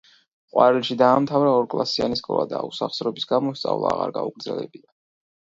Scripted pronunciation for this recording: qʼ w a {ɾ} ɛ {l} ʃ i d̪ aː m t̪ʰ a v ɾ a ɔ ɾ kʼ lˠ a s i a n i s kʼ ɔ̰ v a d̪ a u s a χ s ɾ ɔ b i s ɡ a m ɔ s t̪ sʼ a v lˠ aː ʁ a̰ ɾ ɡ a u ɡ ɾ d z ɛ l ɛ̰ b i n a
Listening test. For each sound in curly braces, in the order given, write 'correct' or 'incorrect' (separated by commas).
correct, correct